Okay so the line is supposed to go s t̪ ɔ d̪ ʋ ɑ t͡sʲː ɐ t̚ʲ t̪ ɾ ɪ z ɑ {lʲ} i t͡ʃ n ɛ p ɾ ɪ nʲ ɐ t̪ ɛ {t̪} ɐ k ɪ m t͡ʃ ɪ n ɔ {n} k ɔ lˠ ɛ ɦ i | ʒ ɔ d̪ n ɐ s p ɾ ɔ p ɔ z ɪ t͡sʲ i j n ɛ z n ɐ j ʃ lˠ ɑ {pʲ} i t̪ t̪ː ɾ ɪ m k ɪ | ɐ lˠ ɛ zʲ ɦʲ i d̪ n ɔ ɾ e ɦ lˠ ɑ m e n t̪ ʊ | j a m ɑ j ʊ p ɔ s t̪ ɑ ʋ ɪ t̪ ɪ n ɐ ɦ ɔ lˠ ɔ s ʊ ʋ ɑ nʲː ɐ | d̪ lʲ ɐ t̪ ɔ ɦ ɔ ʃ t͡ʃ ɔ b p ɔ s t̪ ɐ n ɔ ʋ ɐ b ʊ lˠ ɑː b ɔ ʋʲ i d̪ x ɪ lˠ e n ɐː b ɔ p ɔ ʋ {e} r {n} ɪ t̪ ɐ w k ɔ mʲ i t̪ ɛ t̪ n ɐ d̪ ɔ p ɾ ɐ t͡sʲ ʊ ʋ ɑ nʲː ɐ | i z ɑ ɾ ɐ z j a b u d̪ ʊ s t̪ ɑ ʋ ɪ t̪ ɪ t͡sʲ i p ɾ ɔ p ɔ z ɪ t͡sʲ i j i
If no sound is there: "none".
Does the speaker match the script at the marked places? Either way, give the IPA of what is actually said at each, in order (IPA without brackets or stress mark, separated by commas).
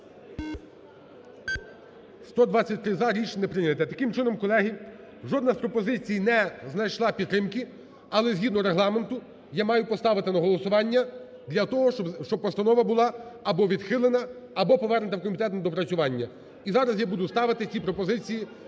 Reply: ɾʲ, t̪, m, pʲ, ɛ, n